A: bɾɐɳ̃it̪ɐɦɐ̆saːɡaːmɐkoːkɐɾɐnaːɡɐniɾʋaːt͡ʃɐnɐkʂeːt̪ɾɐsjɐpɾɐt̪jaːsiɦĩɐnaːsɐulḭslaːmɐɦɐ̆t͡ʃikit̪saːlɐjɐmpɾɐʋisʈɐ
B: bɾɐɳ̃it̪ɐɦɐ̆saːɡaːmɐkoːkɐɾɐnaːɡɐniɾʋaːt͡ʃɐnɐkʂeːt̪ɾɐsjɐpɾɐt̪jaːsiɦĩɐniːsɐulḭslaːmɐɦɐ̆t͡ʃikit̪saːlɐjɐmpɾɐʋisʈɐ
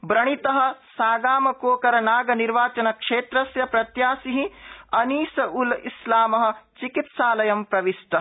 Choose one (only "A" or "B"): B